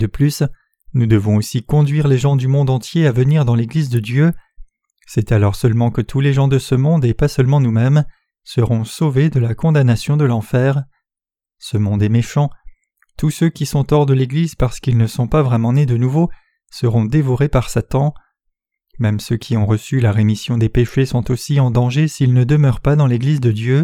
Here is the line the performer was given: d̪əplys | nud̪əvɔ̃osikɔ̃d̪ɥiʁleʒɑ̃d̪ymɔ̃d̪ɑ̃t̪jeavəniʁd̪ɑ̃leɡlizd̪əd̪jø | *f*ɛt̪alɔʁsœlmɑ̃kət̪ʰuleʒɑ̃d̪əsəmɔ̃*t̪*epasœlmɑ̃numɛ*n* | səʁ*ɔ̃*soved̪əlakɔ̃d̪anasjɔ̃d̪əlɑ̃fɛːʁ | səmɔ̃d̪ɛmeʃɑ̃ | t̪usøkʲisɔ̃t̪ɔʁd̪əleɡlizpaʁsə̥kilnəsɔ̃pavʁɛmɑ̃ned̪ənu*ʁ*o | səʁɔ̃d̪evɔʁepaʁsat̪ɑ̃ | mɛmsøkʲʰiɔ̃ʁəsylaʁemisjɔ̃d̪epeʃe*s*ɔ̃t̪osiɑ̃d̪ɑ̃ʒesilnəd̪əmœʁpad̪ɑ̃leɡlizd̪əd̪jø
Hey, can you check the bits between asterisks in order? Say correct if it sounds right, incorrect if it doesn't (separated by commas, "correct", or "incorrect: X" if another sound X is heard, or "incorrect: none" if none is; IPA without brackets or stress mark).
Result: incorrect: s, incorrect: d̪, incorrect: m, correct, incorrect: v, correct